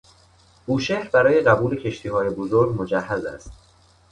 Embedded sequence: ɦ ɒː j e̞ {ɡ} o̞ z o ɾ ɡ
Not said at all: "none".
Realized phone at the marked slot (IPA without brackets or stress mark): b